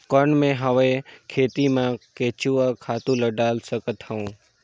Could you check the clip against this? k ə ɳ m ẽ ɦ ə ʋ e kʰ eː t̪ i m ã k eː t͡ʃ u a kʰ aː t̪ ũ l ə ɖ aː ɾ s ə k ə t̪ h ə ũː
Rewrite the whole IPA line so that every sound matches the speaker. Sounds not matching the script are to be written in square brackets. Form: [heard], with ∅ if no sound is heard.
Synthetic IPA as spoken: k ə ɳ m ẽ ɦ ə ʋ e kʰ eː t̪ i m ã k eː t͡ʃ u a kʰ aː t̪ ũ l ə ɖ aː [l] s ə k ə t̪ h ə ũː